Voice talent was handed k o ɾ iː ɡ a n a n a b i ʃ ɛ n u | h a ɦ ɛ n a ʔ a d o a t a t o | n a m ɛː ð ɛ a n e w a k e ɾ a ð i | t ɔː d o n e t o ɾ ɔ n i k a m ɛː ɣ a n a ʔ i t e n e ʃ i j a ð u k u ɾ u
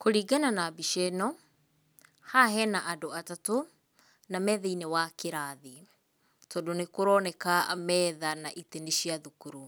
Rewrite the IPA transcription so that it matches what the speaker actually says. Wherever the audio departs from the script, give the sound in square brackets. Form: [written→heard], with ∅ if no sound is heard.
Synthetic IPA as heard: k o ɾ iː ɡ a n a n a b i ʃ ɛ n [u→ɔ] | h a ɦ ɛ n a ʔ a d o a t a t o | n a m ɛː ð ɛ [a→i] n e w a k e ɾ a ð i | t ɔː d o n e [t→k] o ɾ ɔ n [i→ɛ] k a m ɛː [ɣ→ð] a n a ʔ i t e n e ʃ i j a ð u k u ɾ u